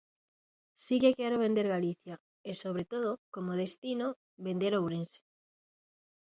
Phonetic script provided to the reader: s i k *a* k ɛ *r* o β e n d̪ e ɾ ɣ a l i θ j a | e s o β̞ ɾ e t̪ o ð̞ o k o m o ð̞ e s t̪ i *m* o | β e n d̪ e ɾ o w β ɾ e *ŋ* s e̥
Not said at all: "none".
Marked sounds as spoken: e, ɾ, n, n

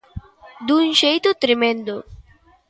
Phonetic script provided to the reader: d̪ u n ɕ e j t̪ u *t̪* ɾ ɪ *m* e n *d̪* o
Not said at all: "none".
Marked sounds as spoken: t̪, m, d̪

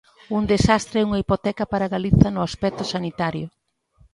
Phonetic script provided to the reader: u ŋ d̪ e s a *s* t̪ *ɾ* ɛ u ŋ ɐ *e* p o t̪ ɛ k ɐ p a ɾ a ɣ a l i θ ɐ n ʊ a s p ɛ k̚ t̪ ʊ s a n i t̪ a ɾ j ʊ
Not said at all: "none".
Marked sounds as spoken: s, ɾ, i

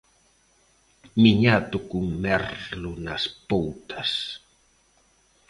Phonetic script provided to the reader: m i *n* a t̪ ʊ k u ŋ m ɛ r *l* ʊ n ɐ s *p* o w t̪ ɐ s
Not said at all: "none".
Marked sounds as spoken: ɲ, l, p

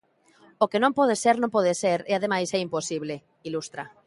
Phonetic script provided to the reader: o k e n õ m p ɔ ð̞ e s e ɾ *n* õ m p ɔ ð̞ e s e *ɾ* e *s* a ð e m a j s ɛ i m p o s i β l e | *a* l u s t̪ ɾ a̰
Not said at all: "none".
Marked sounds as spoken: n, ɾ, none, i

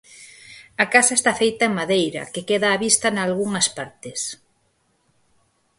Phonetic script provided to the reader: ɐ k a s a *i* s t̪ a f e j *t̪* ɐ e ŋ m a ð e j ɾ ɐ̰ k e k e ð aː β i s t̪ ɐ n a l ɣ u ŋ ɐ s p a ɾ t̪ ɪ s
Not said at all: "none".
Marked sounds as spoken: e, t̪

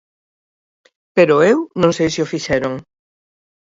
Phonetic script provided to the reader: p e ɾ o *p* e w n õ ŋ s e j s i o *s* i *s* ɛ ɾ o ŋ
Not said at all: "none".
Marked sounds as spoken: none, f, ʃ

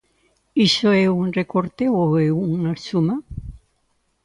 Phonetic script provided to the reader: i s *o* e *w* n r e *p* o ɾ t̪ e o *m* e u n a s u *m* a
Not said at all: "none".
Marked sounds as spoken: o, u, k, none, m

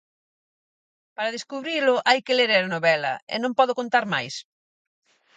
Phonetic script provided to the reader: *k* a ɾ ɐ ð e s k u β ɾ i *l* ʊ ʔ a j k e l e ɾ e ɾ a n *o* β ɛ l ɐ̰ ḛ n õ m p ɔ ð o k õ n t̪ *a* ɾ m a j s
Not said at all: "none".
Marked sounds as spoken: p, l, o, a

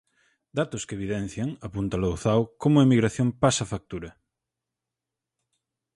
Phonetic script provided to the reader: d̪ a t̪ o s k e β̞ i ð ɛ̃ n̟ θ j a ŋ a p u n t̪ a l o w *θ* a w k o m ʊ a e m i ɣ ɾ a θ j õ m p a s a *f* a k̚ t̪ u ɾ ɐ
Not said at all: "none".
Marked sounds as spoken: θ, f

